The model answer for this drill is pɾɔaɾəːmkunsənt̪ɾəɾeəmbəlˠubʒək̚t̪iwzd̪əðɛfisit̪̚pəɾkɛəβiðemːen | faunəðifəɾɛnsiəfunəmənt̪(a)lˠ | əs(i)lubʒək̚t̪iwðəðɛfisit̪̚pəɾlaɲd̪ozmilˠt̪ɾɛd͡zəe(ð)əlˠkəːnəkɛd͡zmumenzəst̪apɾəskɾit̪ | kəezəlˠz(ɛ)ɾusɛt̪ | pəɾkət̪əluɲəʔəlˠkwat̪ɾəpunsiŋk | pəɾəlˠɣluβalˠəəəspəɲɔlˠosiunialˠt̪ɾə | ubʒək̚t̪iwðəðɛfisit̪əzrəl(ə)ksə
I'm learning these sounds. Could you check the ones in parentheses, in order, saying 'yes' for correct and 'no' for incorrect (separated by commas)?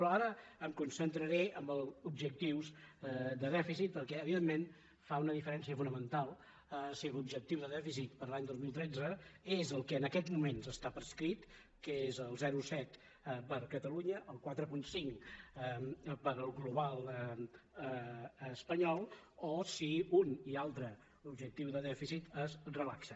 yes, yes, no, yes, no